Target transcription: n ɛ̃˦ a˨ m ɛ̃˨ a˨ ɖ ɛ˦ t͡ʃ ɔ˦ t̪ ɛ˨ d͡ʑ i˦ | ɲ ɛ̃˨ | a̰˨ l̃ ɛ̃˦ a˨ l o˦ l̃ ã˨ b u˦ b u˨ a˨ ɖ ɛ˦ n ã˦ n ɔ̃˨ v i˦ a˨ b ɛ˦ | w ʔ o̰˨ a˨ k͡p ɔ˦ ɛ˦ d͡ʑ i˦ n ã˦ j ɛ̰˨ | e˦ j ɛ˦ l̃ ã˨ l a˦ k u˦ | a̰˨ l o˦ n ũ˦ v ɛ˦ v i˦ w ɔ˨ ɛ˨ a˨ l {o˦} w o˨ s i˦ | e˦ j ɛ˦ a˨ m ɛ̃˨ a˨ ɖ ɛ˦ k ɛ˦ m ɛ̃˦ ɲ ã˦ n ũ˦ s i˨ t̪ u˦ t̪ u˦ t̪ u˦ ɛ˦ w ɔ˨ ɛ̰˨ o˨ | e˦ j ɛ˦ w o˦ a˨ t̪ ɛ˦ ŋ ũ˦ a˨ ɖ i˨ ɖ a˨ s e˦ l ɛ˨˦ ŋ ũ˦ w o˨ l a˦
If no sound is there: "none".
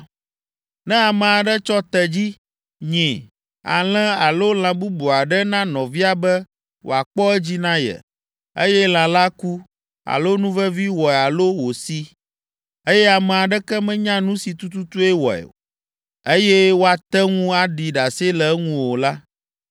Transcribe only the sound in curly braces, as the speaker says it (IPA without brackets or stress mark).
o˦